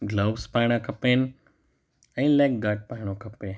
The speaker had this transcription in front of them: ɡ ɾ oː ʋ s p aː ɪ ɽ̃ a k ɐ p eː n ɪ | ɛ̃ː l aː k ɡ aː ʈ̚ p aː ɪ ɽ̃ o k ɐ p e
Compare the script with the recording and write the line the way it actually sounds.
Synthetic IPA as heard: ɡ l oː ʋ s p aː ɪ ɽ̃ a k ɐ p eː n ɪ | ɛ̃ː l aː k ɡ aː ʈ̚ p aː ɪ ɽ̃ o k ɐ p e